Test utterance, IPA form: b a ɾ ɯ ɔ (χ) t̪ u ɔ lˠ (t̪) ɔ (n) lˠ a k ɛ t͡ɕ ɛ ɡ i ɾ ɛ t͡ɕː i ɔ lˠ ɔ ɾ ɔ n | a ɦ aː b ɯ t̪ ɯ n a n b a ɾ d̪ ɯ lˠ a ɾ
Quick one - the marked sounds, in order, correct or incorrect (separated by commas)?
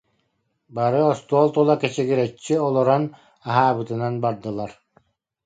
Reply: incorrect, correct, incorrect